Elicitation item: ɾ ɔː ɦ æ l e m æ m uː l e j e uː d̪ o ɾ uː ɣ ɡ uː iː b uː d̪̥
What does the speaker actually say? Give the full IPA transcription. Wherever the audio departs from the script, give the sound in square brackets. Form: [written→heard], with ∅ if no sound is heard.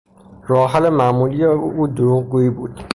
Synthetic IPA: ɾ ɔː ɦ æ l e m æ m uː l [e→i] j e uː d̪ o ɾ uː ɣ ɡ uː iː b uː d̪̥